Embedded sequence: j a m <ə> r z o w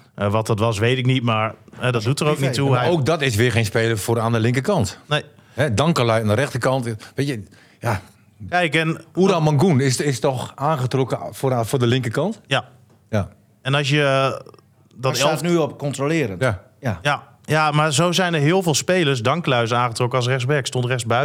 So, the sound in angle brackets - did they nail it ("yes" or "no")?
no